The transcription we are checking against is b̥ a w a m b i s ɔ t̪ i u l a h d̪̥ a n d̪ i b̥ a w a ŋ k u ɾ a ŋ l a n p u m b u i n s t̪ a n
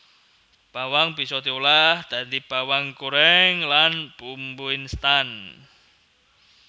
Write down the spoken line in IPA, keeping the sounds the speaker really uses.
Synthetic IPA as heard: b̥ a w a ŋ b i s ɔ t̪ i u l a h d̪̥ a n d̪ i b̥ a w a ŋ k u ɾ ɛ ŋ l a n p u m b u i n s t̪ a n